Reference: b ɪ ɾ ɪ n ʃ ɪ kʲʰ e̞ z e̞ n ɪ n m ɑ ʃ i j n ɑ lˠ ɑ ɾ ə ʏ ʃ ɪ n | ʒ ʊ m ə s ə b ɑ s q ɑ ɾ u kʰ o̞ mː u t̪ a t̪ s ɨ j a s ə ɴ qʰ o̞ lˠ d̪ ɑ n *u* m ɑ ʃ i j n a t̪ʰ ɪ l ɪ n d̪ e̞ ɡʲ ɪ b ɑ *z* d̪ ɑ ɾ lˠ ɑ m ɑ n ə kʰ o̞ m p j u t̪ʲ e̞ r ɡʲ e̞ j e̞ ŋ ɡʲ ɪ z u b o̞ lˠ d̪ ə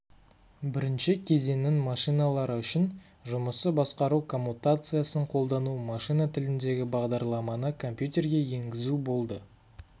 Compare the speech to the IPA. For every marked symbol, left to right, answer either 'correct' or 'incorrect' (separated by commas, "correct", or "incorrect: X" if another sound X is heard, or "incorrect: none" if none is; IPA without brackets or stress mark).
correct, incorrect: ʁ